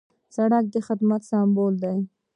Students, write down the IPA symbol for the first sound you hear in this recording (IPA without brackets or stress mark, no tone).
s